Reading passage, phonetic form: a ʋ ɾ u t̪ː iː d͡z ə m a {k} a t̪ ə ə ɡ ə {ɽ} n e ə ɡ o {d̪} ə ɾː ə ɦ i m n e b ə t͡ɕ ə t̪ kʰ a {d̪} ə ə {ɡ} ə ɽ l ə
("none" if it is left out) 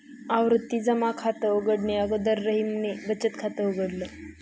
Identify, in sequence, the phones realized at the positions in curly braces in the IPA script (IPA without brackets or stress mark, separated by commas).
kʰ, ɽ, d̪, t̪, ɡ